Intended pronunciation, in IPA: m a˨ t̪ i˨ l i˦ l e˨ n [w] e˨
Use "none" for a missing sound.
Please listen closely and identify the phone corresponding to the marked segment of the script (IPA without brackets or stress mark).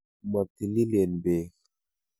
b